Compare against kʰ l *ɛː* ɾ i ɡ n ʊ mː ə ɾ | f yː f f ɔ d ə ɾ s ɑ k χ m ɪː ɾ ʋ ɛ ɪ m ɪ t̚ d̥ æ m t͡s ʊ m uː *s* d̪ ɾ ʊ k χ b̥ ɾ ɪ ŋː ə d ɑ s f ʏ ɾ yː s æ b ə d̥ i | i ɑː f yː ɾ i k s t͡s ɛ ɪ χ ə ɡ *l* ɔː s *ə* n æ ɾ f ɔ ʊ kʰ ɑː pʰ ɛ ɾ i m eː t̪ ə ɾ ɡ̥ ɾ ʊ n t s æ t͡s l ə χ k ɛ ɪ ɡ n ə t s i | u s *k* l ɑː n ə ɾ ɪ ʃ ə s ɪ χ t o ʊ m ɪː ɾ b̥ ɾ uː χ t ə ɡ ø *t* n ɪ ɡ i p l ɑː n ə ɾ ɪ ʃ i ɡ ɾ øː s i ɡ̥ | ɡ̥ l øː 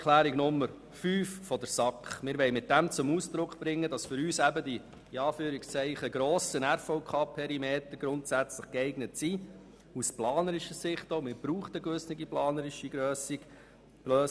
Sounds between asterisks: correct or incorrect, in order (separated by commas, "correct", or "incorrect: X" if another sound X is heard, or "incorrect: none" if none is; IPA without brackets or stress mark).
incorrect: æː, correct, incorrect: ɾ, correct, incorrect: p, incorrect: s